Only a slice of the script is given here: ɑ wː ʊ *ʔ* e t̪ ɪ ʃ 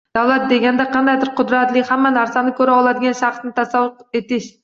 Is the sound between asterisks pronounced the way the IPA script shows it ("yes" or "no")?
no